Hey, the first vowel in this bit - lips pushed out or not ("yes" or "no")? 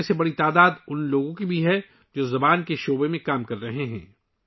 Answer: no